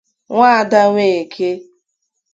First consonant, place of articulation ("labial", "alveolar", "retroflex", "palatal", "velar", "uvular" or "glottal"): velar